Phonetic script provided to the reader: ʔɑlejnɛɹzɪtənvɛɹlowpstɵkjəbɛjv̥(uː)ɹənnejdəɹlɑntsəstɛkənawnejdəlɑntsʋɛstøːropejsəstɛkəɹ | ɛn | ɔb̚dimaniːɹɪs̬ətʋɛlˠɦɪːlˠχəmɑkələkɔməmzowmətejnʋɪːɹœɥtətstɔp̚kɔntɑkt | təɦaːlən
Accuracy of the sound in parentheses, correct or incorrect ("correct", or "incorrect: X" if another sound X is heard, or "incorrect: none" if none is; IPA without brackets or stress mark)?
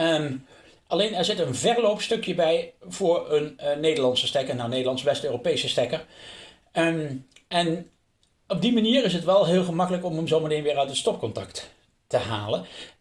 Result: incorrect: ʊː